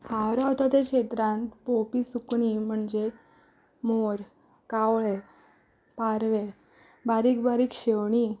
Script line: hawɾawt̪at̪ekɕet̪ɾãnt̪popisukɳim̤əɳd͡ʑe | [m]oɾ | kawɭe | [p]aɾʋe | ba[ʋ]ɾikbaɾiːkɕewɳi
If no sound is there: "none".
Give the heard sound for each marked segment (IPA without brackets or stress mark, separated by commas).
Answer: m, p, none